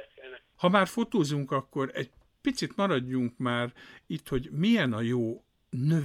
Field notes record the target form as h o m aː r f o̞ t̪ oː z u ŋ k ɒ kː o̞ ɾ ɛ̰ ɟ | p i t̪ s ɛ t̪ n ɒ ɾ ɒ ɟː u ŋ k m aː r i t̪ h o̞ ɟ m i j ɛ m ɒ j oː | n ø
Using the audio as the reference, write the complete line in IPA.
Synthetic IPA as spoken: h ɒ m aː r f o̞ t̪ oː z u ŋ k ɒ kː o̞ ɾ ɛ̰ ɟ | p i t̪ s i t̪ m ɒ ɾ ɒ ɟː u ŋ k m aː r i t̪ h o̞ ɟ m i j ɛ n ɒ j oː | n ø